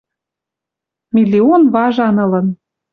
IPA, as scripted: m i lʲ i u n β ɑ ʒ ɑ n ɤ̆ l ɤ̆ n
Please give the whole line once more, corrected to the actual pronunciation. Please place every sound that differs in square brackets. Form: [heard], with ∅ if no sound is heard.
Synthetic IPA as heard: m i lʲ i [o] n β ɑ ʒ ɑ n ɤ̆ l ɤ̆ n